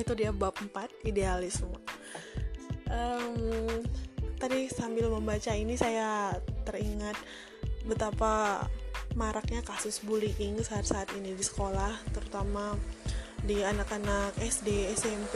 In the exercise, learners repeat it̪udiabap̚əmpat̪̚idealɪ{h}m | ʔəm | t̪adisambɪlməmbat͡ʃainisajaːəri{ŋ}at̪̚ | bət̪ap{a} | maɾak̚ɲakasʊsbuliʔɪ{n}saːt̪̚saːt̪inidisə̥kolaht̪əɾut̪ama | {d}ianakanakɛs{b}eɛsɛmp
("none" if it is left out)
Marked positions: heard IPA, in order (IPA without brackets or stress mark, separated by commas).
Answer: s, ŋ, a, ŋ, d, d